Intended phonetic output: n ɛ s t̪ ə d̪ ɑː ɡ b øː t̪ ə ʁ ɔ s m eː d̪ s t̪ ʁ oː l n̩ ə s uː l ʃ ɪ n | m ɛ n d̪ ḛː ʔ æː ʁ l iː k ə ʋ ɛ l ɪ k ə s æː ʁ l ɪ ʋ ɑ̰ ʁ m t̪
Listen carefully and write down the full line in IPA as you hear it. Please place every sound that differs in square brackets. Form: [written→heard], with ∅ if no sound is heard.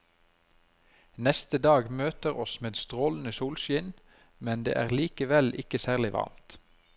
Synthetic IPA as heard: n ɛ s t̪ ə d̪ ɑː ɡ [b→m] øː t̪ ə ʁ ɔ s m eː d̪ s t̪ ʁ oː l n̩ ə s uː l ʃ ɪ n | m ɛ n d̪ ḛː ʔ æː ʁ l iː k ə ʋ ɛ l ɪ k ə s æː ʁ l ɪ ʋ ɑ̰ ʁ m t̪

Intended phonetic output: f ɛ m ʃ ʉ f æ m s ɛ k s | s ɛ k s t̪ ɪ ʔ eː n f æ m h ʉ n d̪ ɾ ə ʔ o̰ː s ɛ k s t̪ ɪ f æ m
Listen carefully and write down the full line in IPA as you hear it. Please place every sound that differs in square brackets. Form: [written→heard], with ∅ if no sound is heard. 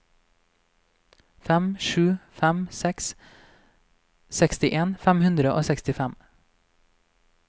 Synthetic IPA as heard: f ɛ m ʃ [ʉ→ʉː] f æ m s ɛ k s | s ɛ k s t̪ ɪ ʔ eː n f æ m h ʉ n d̪ ɾ ə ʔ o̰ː s ɛ k s t̪ ɪ f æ m

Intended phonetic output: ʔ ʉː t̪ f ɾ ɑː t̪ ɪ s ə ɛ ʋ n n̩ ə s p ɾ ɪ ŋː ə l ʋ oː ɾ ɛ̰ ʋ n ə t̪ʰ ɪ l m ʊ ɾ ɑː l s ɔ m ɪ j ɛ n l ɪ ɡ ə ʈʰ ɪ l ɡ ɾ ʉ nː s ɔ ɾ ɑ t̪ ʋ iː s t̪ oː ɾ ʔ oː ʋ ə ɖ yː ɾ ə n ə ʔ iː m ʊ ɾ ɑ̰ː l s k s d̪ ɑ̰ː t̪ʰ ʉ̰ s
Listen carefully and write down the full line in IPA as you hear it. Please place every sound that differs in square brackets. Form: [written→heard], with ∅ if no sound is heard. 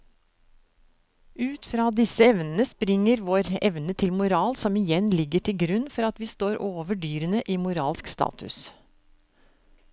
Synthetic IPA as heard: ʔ ʉː t̪ f ɾ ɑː [t̪→d̪] ɪ s ə ɛ ʋ n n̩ ə s p ɾ ɪ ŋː ə [l→ɾ] ʋ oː ɾ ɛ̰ ʋ n ə t̪ʰ ɪ l m ʊ ɾ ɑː l s ɔ m ɪ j ɛ n l ɪ ɡ ə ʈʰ ɪ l ɡ ɾ ʉ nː [s→f] ɔ ɾ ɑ t̪ ʋ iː s t̪ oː ɾ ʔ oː ʋ ə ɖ yː ɾ ə n ə ʔ iː m ʊ ɾ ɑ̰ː l s k s [d̪→t̪] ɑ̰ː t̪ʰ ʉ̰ s

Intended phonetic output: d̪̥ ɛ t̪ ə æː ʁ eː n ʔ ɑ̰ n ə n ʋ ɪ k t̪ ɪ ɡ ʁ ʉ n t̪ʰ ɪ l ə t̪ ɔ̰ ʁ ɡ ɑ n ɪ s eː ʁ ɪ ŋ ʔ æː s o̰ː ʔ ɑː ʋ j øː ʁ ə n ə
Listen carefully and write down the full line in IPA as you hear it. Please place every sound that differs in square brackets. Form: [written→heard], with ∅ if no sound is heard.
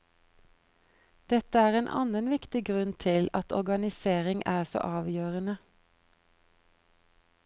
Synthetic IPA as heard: d̪̥ ɛ t̪ ə æː ʁ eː n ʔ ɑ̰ n ə n ʋ ɪ k t̪ ɪ ɡ ʁ ʉ n t̪ʰ ɪ l [ə→ɑ] t̪ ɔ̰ ʁ ɡ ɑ n ɪ s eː ʁ ɪ ŋ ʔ æː s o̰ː ʔ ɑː ʋ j øː ʁ ə n ə

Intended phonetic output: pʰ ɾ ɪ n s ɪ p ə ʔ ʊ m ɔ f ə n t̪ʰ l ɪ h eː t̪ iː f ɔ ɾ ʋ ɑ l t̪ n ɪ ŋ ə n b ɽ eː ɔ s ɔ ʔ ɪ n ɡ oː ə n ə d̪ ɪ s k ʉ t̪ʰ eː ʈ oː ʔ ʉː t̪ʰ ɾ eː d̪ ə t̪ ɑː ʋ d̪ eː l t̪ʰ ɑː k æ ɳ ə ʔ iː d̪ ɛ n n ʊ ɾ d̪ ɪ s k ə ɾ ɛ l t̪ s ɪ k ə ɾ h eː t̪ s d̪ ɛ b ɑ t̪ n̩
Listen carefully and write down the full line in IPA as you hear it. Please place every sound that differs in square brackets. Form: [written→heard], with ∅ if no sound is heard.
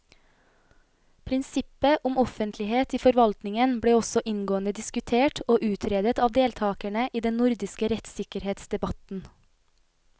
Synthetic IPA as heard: pʰ ɾ ɪ n s ɪ p ə ʔ ʊ m ɔ f ə n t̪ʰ l ɪ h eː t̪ iː f ɔ ɾ ʋ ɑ l t̪ n ɪ ŋ ə n b ɽ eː ɔ s ɔ ʔ ɪ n ɡ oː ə n ə d̪ ɪ s k ʉ t̪ʰ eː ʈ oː ʔ ʉː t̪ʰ ɾ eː d̪ ə t̪ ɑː ʋ d̪ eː l t̪ʰ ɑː k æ ɳ ə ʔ iː d̪ ɛ n n ʊ ɾ d̪ ɪ s k ə ɾ ɛ [l→∅] t̪ s ɪ k ə ɾ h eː t̪ s d̪ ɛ b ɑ t̪ n̩

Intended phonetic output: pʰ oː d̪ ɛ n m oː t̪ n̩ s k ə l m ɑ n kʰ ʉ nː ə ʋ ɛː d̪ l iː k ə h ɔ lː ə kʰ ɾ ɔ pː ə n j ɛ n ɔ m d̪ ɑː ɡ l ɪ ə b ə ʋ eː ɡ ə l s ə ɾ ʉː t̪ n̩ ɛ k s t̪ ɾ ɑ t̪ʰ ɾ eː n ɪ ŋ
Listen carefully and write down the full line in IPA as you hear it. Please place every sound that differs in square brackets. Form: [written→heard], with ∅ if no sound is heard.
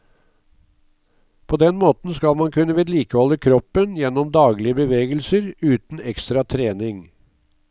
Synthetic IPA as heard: pʰ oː d̪ ɛ n m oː t̪ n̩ s k [ə→ɑ] l m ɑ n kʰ ʉ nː ə ʋ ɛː d̪ l iː k ə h ɔ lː ə kʰ ɾ ɔ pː ə n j ɛ n ɔ m d̪ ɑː ɡ l ɪ ə b ə ʋ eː ɡ ə l s ə ɾ ʉː t̪ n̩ ɛ k s t̪ ɾ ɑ t̪ʰ ɾ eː n ɪ ŋ

